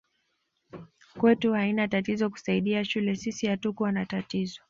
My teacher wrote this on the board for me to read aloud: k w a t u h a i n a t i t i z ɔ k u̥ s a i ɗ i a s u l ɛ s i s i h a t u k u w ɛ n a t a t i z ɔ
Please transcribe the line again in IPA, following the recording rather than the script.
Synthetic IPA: k w ɛ t u h a i n a t a t i z ɔ k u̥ s a i ɗ i a ʃ u l ɛ s i s i h a t u k u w a n a t a t i z ɔ